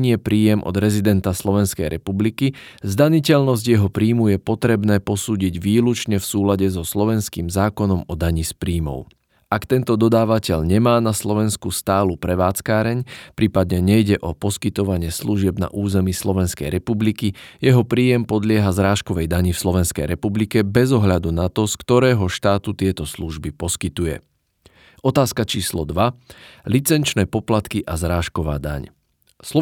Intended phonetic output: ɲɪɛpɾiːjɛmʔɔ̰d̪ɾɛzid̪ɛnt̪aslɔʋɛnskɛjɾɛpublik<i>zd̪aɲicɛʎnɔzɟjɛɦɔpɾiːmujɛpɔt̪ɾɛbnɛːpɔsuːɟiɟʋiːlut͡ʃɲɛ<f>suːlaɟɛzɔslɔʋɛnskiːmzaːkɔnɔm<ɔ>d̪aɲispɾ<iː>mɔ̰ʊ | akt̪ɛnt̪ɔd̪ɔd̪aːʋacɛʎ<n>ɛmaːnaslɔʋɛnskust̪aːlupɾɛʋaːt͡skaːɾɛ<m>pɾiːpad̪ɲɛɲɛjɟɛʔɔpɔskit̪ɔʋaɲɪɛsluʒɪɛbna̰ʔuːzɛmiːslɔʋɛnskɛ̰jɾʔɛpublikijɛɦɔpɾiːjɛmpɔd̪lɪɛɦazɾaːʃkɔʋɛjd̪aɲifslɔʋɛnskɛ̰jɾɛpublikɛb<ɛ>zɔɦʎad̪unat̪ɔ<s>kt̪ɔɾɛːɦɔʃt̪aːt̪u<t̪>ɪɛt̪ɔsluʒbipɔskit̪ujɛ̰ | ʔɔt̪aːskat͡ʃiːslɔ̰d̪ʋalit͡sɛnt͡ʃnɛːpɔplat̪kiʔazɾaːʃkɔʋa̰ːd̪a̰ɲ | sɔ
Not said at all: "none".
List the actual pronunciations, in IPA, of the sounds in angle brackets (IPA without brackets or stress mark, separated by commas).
i, f, ɔ, iː, ɲ, ɲ, ɛ, s, t̪